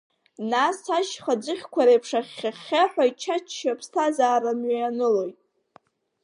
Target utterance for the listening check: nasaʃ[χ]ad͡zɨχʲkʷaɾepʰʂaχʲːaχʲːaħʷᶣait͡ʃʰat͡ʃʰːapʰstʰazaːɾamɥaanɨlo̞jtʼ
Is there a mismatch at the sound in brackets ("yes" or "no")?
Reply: no